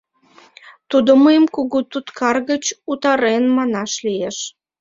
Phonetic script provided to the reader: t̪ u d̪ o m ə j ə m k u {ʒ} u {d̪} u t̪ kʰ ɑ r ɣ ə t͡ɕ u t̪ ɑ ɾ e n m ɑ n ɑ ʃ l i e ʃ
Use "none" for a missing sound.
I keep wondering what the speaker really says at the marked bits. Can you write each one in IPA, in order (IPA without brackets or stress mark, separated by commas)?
ɣ, t̪